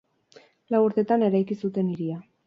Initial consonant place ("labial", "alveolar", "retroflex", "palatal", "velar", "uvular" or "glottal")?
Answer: alveolar